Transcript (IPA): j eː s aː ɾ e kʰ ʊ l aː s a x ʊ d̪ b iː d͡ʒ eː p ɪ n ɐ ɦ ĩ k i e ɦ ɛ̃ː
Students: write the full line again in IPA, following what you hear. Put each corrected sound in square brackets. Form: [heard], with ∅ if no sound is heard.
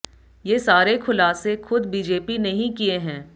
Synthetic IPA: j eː s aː ɾ e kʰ ʊ l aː s [e] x ʊ d̪ b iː d͡ʒ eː p [i] n ɐ ɦ ĩ k i e ɦ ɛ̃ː